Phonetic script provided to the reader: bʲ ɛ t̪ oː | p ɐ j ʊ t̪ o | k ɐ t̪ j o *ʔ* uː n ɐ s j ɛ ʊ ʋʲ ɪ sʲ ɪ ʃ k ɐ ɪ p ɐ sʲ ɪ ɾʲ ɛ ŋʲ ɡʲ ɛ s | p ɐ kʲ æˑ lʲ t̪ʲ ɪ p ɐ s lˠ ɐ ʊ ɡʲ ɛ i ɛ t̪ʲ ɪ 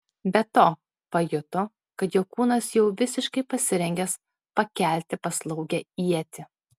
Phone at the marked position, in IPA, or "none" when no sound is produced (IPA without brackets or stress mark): k